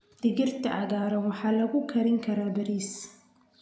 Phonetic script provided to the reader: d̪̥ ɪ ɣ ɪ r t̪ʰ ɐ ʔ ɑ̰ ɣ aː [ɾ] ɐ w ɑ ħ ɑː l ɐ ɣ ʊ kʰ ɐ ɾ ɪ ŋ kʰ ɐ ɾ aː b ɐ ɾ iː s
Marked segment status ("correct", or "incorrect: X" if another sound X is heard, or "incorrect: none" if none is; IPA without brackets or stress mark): correct